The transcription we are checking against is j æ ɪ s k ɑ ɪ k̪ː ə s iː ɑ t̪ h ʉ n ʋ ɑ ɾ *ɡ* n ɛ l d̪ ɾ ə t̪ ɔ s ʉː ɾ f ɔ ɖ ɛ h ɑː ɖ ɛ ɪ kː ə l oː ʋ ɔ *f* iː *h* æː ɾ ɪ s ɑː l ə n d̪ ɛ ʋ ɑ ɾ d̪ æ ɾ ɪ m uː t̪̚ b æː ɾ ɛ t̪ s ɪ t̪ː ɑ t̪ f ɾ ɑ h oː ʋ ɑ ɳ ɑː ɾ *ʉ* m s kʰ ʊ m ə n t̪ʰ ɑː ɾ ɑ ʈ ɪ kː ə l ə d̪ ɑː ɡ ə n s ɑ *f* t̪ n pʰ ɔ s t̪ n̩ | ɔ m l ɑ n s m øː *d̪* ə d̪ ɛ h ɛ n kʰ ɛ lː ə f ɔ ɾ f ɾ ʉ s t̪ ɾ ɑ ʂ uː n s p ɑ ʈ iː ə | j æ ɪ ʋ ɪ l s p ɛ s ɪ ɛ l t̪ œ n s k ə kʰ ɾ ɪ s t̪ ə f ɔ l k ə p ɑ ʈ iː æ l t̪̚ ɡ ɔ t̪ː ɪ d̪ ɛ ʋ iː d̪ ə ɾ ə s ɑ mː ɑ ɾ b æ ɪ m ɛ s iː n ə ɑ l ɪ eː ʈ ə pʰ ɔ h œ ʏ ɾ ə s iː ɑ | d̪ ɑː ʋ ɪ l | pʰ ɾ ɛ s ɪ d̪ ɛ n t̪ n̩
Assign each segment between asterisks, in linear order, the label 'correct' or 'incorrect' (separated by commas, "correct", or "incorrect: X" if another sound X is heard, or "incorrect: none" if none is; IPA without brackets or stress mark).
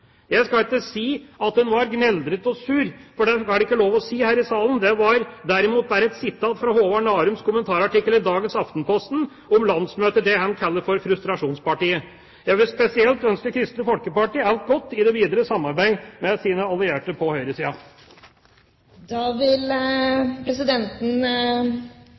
correct, incorrect: s, correct, correct, correct, incorrect: t̪